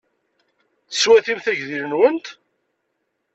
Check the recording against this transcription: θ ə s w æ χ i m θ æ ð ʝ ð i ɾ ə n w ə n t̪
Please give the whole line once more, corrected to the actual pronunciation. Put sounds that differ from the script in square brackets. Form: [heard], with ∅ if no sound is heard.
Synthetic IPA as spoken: θ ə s w æ [θ] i m θ æ [∅] ʝ ð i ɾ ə n w ə n t̪